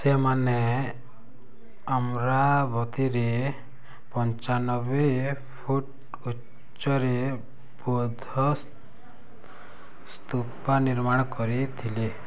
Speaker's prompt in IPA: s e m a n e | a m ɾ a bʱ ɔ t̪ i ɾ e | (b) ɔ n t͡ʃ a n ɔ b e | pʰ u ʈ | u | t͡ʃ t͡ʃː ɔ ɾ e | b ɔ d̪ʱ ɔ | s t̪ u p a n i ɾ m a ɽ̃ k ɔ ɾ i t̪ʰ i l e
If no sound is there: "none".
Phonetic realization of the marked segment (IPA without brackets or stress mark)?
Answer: p